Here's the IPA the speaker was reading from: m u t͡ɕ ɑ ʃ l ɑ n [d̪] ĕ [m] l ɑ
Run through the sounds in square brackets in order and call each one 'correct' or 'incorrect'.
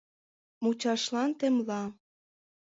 incorrect: t̪, correct

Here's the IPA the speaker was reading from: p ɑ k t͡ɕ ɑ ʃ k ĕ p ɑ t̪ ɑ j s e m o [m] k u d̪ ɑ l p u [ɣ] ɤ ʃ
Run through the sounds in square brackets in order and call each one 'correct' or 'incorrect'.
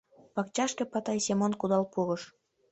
incorrect: n, correct

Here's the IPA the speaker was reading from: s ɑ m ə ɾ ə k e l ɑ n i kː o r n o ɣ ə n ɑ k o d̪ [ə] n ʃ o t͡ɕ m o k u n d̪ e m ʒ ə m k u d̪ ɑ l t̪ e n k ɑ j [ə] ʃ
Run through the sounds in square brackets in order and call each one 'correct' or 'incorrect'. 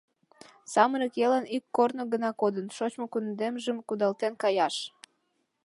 correct, incorrect: ɑ

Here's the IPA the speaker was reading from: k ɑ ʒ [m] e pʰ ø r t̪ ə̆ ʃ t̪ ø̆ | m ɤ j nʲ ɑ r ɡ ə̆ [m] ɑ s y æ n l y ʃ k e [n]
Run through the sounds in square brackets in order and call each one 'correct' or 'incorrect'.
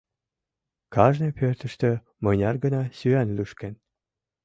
incorrect: n, incorrect: n, correct

